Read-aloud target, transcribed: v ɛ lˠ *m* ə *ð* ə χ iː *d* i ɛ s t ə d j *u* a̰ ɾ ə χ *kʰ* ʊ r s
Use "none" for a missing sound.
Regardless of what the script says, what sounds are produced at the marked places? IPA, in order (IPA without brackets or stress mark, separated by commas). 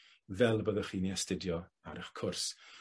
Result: b, ð, n, ɔ, kʰ